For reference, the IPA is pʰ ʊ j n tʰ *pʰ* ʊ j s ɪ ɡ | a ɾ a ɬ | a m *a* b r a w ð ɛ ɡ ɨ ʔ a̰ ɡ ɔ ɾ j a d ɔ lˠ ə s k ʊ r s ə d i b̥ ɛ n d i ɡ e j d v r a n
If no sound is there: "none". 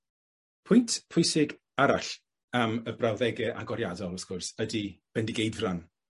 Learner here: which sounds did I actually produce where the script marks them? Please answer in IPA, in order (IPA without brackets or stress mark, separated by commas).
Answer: pʰ, ə